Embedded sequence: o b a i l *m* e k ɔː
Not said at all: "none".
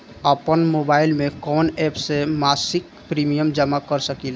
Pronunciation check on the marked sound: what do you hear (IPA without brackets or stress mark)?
m